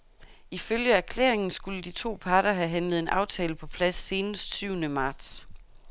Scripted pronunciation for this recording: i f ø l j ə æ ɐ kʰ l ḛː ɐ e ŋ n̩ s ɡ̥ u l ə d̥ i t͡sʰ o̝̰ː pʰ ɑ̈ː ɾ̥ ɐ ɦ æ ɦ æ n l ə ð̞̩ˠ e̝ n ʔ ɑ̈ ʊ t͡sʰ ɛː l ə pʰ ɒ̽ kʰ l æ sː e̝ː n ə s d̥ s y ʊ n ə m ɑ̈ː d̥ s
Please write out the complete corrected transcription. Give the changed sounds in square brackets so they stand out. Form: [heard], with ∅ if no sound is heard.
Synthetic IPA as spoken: i f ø l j ə æ ɐ kʰ l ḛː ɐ e ŋ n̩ s ɡ̥ u l ə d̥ i t͡sʰ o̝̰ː pʰ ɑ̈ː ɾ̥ ɐ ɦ æ ɦ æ n l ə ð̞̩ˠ e̝ n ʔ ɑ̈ ʊ t͡sʰ ɛː l ə pʰ ɒ̽ [pʰ] l æ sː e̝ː n ə s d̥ s y ʊ n ə m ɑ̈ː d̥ s